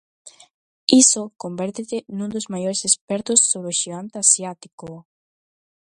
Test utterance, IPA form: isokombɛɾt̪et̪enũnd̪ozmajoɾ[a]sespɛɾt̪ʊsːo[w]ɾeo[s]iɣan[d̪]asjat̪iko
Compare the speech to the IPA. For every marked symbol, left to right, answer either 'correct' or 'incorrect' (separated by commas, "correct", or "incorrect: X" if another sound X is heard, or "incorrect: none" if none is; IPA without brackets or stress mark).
incorrect: e, incorrect: β, incorrect: ʃ, incorrect: t̪